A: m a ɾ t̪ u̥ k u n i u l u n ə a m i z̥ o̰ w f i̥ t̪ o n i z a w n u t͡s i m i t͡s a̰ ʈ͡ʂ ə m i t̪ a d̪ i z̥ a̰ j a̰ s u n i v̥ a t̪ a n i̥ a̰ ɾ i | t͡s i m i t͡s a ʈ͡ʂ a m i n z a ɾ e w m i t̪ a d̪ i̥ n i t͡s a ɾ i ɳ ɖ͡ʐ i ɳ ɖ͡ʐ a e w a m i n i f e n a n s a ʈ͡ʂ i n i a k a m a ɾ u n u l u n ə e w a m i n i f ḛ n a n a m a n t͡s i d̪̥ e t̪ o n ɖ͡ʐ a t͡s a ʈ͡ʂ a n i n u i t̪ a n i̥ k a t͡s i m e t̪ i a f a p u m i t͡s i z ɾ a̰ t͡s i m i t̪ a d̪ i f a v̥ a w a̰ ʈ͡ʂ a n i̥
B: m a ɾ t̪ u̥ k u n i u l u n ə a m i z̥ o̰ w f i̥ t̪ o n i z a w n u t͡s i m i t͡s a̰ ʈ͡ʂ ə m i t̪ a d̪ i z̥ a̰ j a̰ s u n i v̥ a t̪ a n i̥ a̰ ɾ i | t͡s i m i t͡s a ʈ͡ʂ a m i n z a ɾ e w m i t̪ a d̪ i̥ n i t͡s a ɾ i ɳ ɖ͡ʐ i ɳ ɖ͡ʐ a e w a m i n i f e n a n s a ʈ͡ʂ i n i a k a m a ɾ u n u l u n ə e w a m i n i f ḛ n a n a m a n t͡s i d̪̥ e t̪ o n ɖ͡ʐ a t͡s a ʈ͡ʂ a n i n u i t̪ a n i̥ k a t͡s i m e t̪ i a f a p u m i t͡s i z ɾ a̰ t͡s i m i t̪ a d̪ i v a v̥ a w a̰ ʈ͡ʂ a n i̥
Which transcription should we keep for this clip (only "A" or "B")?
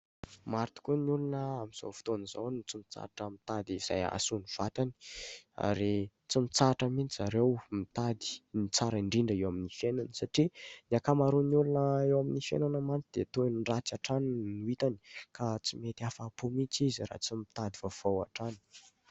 B